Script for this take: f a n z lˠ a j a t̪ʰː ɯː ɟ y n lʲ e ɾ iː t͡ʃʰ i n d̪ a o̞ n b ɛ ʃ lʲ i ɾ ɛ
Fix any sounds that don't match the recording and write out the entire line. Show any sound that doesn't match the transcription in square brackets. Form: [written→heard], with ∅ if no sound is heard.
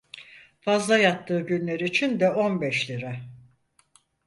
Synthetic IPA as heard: f a [n→∅] z lˠ a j a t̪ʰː ɯː ɟ y n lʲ e ɾ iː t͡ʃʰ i n d̪ [a→ɛ] o̞ n b ɛ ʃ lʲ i ɾ ɛ